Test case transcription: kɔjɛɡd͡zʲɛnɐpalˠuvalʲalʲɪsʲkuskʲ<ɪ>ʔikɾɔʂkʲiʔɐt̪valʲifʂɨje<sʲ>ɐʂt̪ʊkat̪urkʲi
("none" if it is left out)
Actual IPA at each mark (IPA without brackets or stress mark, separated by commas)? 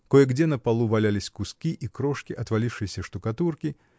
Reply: i, sʲ